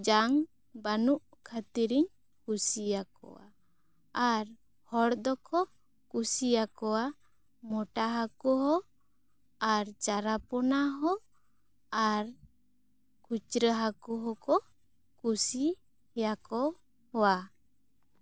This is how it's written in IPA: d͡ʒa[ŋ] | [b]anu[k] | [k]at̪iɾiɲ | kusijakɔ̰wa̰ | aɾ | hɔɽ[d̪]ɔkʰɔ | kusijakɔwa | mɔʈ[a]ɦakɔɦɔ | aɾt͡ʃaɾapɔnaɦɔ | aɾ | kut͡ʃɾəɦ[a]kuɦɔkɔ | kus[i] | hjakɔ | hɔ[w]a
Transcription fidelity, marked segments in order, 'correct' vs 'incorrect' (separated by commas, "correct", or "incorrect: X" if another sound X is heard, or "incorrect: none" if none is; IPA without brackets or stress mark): correct, correct, incorrect: ʔ, incorrect: kʰ, correct, correct, correct, correct, correct